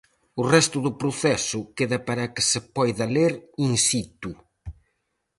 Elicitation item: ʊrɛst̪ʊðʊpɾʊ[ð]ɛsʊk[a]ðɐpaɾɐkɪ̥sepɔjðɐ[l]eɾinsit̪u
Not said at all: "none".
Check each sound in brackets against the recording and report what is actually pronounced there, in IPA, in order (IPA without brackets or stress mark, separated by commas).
θ, e, l